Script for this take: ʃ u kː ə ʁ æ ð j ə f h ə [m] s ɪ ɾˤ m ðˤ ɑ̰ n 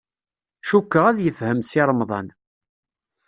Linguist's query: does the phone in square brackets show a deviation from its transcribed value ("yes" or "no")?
no